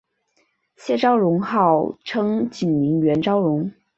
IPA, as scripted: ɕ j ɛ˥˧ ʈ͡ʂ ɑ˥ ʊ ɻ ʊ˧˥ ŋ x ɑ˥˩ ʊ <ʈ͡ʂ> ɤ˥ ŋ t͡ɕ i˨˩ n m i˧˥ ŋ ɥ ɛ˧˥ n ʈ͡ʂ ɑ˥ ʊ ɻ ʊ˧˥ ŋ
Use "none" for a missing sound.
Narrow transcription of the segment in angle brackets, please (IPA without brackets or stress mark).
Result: ʈ͡ʂʰ